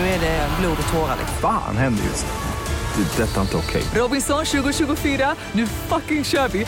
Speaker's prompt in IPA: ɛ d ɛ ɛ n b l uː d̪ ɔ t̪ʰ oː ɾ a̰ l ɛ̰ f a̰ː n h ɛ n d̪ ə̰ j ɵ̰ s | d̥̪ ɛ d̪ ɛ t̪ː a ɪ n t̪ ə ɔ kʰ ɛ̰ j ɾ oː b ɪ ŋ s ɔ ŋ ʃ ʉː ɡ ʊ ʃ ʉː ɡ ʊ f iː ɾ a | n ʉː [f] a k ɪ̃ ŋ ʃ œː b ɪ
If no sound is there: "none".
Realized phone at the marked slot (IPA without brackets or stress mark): f